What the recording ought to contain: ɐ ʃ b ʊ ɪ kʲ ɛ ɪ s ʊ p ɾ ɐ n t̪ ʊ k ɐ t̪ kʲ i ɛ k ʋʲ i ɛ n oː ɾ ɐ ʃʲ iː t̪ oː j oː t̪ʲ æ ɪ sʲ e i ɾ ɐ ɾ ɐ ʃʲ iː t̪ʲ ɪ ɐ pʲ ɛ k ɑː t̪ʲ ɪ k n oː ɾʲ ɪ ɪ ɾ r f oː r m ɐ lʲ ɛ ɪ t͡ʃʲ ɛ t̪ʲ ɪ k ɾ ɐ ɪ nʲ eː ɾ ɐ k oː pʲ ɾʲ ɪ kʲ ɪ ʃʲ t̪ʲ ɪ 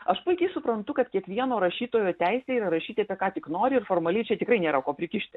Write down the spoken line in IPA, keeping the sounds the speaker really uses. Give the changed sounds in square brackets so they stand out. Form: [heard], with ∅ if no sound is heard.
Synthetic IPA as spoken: ɐ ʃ [p] ʊ ɪ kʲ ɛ ɪ s ʊ p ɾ ɐ n t̪ ʊ k ɐ t̪ kʲ i ɛ k ʋʲ i ɛ n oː ɾ ɐ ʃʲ iː t̪ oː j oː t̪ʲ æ ɪ sʲ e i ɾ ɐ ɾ ɐ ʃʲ iː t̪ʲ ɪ ɐ pʲ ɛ k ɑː t̪ʲ ɪ k n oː ɾʲ ɪ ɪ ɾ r f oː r m ɐ lʲ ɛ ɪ t͡ʃʲ ɛ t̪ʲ ɪ k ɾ ɐ ɪ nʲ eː ɾ ɐ k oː pʲ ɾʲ ɪ kʲ ɪ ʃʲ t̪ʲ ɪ